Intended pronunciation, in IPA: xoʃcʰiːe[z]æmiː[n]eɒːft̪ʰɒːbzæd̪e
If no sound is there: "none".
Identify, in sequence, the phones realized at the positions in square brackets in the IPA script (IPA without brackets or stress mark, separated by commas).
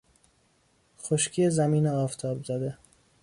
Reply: z, n